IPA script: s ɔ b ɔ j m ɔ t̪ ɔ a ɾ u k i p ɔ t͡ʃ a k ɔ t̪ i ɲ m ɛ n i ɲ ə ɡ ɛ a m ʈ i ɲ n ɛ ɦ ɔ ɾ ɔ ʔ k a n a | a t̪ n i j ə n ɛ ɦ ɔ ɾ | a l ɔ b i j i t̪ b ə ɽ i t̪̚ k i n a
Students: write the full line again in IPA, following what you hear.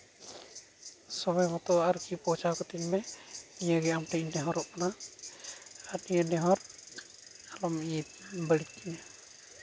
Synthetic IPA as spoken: s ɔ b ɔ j m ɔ t̪ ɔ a ɾ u k i p ɔ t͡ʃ a k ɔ t̪ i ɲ m ɛ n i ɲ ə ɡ ɛ a m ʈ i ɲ n ɛ ɦ ɔ ɾ ɔ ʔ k a n a | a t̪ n i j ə n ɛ ɦ ɔ ɾ | a l ɔ m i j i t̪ b ə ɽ i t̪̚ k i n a